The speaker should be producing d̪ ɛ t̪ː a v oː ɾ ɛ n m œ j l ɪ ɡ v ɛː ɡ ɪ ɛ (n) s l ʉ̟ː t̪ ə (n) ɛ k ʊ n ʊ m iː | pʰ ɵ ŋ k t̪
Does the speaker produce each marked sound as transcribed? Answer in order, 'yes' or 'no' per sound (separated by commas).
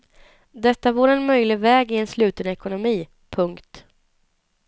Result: yes, yes